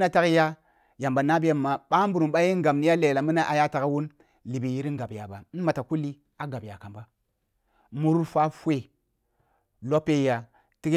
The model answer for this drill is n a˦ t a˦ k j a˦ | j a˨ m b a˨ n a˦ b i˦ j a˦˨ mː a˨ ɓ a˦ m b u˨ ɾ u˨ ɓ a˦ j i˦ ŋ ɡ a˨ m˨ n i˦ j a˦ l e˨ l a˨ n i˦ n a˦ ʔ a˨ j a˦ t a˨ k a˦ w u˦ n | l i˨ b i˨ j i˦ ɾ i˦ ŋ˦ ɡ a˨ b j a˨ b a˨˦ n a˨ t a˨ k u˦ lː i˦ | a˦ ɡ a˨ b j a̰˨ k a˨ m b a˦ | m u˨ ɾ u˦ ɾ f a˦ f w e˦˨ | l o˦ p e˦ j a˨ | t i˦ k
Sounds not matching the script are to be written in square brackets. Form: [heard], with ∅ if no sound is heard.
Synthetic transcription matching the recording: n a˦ t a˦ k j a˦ | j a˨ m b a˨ n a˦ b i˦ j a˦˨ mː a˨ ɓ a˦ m b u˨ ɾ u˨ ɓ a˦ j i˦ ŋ ɡ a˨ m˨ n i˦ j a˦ l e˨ l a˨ [m] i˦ n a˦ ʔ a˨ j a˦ t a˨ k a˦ w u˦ n | l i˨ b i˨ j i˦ ɾ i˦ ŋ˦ ɡ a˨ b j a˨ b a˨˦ [m] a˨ t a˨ k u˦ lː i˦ | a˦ ɡ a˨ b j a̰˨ k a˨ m b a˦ | m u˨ ɾ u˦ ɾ f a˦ f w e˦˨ | l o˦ p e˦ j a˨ | t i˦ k

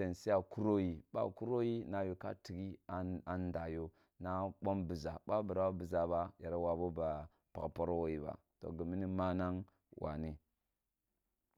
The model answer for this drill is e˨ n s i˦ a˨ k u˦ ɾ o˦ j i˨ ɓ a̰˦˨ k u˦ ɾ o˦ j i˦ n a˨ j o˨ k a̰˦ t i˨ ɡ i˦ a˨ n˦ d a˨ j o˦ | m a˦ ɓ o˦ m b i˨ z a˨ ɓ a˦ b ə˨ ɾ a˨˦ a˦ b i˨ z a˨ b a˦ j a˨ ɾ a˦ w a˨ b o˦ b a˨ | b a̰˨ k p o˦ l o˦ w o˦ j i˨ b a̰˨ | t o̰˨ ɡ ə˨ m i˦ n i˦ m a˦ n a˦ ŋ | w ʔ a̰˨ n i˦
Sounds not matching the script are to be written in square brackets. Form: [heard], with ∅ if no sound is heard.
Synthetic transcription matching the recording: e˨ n s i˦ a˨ k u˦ ɾ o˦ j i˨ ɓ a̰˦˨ k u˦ ɾ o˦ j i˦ n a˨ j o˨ k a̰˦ t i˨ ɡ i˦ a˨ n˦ d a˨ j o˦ | [n] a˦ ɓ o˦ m b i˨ z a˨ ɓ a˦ b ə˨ ɾ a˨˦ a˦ b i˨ z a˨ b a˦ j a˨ ɾ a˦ w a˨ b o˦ b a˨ | [p] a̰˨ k p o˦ [ɾ] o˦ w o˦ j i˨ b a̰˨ | t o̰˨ ɡ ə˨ m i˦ n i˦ m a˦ n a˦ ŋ | w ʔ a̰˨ n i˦

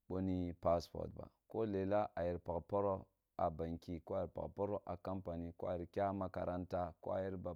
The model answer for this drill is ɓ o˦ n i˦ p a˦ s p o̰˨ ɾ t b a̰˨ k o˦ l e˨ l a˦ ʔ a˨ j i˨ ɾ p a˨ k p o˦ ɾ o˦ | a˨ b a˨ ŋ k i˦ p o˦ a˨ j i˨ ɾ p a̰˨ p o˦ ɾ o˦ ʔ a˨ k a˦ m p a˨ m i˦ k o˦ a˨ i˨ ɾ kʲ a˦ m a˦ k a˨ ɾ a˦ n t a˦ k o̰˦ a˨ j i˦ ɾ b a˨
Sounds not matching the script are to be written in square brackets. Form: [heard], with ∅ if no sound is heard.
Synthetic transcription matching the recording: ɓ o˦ n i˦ p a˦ s p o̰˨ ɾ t b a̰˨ k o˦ l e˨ l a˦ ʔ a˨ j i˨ ɾ p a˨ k p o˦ ɾ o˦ | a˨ b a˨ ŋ k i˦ [k] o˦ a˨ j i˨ ɾ p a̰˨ p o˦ ɾ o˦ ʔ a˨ k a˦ m p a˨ [n] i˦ k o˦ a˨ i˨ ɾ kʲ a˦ m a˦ k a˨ ɾ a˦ n t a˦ k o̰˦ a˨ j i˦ ɾ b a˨

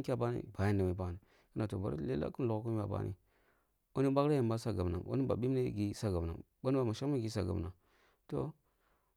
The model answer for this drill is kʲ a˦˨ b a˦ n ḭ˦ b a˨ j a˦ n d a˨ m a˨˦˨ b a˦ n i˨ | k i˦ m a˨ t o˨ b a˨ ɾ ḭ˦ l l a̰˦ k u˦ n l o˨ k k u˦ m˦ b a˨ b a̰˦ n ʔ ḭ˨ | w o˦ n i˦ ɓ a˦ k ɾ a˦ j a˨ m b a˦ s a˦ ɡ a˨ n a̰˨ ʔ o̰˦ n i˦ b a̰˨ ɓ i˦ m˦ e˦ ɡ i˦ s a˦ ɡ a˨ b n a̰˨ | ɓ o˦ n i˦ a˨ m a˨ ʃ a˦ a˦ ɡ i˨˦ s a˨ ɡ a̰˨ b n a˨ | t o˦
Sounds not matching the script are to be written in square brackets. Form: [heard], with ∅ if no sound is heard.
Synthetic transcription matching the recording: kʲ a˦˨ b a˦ n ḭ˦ b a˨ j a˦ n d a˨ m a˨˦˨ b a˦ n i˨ | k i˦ [n] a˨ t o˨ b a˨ ɾ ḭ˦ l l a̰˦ k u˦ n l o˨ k k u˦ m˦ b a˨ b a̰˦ n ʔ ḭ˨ | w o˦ n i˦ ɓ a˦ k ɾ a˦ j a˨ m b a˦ s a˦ ɡ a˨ n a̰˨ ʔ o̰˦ n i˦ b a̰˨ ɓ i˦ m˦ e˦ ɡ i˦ s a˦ ɡ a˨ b n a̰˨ | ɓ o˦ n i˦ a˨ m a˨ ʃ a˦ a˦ ɡ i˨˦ s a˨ ɡ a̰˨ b n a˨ | t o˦

